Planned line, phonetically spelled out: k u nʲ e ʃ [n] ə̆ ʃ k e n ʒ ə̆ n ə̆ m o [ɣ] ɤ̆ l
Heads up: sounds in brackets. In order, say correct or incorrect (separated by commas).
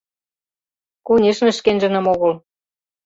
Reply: correct, correct